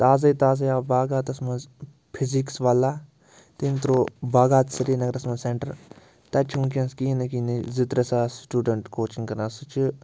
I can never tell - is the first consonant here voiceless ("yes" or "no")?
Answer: yes